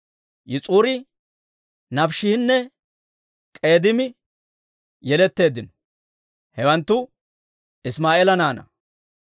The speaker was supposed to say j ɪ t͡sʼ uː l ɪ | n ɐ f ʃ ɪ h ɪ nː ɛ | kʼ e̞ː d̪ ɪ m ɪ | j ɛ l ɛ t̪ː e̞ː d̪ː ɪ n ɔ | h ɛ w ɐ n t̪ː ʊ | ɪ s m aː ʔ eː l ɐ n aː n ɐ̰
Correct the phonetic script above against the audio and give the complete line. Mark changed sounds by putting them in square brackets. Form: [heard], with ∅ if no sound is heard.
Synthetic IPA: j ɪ t͡sʼ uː [ɾ] ɪ | n ɐ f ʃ ɪ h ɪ nː ɛ | kʼ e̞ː d̪ ɪ m ɪ | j ɛ l ɛ t̪ː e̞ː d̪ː ɪ n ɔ | h ɛ w ɐ n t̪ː ʊ | ɪ s m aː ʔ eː l ɐ n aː n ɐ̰